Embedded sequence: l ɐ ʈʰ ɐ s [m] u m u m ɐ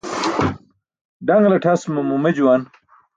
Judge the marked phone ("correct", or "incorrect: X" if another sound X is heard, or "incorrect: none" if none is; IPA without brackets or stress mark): correct